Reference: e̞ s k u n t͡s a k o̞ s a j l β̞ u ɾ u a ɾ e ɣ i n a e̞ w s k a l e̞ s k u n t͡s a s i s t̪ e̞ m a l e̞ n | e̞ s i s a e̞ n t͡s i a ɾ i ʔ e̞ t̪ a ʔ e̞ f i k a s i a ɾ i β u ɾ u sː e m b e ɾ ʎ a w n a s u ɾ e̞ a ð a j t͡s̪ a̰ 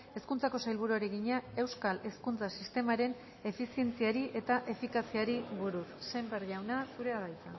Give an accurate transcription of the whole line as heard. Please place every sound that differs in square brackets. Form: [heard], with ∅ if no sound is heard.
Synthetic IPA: e̞ s k u n t͡s a k o̞ s a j l β̞ u ɾ u a ɾ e ɣ i [ɲ] a e̞ w s k a l e̞ s k u n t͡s a s i s t̪ e̞ m a [ɾ] e̞ n | e̞ [f] i s [i] e̞ n t͡s i a ɾ i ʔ e̞ t̪ a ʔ e̞ f i k a s i a ɾ i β u ɾ u sː e m b e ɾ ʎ a w n a s u ɾ e̞ a ð a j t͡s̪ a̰